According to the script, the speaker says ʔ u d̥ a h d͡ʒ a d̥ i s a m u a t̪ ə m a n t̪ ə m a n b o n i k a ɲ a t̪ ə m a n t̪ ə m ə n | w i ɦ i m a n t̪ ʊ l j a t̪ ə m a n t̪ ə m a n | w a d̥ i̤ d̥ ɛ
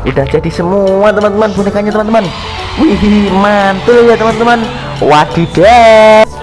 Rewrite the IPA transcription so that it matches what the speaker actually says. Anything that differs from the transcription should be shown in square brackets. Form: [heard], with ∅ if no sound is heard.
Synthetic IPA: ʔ u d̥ a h d͡ʒ a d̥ i s [ə] m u a t̪ ə m a n t̪ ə m a n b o n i k a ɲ a t̪ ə m a n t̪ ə m [a] n | w i ɦ i m a n t̪ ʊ l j a t̪ ə m a n t̪ ə m a n | w a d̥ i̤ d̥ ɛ